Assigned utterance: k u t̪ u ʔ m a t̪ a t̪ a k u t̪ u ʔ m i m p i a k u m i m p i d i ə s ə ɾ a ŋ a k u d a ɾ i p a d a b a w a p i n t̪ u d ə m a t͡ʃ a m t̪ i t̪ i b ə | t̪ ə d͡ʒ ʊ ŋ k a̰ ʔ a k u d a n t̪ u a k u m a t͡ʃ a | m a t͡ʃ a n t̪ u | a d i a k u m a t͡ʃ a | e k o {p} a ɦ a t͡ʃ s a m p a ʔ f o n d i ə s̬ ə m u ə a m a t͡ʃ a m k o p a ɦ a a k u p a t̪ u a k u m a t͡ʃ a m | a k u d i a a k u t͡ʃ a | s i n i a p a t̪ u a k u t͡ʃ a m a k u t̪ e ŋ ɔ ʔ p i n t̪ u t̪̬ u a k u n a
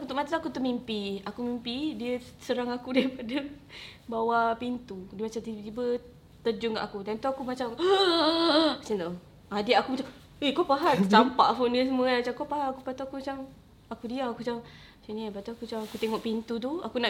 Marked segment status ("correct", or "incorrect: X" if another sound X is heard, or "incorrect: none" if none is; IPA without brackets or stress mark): correct